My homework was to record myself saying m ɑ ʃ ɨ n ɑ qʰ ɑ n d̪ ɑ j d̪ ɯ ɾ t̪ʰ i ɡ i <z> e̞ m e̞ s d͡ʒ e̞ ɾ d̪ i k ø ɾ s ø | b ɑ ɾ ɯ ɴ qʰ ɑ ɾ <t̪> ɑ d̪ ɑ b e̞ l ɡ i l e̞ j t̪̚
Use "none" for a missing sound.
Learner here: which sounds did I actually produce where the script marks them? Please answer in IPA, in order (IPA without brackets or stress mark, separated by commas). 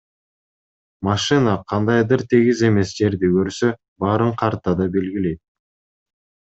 z, t̪